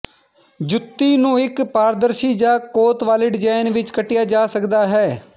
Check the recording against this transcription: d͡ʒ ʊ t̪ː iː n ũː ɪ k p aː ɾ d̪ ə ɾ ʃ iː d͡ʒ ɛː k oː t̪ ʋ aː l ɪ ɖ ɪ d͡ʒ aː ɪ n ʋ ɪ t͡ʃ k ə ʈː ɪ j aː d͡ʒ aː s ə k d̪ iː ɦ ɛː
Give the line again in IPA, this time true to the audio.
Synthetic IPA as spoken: d͡ʒ ʊ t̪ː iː n ũː ɪ k p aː ɾ d̪ ə ɾ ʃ iː d͡ʒ aː k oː t̪ ʋ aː l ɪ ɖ ɪ d͡ʒ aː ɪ n ʋ ɪ t͡ʃ k ə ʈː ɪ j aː d͡ʒ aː s ə k d̪ aː ɦ ɛː